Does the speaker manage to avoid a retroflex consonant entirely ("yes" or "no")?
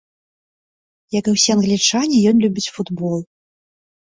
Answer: no